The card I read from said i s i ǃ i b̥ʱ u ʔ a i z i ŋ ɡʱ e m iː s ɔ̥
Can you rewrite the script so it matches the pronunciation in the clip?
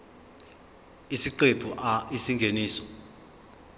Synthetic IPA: i s i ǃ e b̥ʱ u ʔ a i s i ŋ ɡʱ e n iː s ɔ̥

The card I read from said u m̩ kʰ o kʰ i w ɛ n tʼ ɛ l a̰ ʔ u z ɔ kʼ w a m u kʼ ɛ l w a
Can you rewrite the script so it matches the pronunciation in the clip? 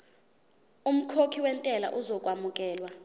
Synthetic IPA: u m̩ kʰ o kʰ i w ɛ n tʼ ɛ l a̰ ʔ u z ɔ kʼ w a m u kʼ ɛː l w a

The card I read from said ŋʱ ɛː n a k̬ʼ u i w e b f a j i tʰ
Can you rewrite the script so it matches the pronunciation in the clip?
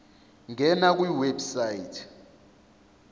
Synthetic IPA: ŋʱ ɛ n a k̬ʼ w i w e b s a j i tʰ

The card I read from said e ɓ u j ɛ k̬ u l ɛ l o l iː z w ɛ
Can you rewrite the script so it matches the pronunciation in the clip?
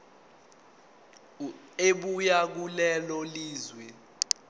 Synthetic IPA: e ɓ u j a k̬ u l ɛ l ɔ l iː z w ɛ

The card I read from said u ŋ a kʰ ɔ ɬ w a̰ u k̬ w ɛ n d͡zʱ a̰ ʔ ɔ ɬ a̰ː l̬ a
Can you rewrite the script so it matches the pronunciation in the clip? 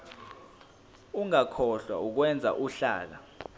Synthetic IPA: u ŋ a kʰ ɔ ɬ w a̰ u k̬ w ɛ n d͡zʱ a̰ ʔ u ɬ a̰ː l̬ a

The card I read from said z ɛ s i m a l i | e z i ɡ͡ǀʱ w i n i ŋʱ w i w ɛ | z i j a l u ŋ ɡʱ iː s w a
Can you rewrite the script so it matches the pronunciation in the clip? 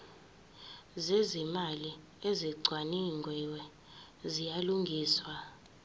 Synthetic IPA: z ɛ z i m a l i | e z i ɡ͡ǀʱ w a n i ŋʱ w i w ɛ | z i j a l u ŋ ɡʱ iː s w a

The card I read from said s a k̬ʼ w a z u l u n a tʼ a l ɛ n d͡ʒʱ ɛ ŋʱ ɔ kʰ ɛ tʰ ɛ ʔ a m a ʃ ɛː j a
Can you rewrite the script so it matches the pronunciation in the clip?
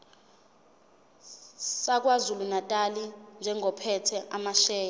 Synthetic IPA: s a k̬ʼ w a z u l u n a tʼ a l i n d͡ʒʱ ɛ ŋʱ ɔ pʰ ɛ tʰ ɛ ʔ a m a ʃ ɛː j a

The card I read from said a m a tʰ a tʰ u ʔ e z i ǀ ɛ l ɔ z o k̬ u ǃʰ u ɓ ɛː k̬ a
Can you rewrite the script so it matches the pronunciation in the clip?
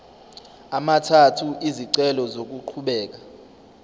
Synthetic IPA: a m a tʰ a tʰ u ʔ i z i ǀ ɛ l ɔ z o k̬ u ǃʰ u ɓ ɛː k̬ a

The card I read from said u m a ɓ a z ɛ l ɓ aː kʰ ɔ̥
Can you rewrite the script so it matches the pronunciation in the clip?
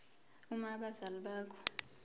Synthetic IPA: u m a ɓ a z a l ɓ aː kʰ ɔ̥

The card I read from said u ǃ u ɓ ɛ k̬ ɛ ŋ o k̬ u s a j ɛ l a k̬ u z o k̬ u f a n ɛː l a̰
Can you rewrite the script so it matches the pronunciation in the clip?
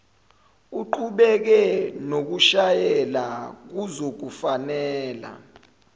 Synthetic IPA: u ǃ u ɓ ɛ k̬ ɛ n o k̬ u ʃ a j ɛ l a k̬ u z o k̬ u f a n ɛː l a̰

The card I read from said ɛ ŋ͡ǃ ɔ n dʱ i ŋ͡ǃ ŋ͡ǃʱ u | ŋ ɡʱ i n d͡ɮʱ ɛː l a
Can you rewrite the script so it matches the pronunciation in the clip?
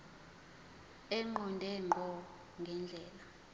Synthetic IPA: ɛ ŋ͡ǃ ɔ n dʱ ɛ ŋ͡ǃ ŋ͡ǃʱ ɔ | ŋ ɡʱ ɛ n d͡ɮʱ ɛː l a

